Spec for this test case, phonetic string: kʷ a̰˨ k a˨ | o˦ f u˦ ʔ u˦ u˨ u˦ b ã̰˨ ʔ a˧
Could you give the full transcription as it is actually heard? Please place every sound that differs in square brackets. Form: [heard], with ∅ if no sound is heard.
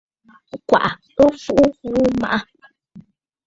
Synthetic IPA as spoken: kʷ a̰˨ [ʔ] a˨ | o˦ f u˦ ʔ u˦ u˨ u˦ [m] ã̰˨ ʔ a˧